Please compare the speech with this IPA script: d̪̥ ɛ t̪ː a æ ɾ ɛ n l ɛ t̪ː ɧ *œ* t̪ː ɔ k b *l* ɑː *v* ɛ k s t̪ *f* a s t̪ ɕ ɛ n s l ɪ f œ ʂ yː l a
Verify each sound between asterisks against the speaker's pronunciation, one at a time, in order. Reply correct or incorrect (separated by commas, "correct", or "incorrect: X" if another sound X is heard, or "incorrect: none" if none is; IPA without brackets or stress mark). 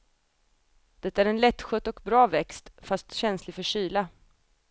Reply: correct, incorrect: ɾ, correct, correct